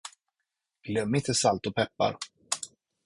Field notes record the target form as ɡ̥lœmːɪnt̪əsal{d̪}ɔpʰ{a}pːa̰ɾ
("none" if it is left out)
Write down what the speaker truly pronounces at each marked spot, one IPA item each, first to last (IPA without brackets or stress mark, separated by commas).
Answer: t̪, ɛ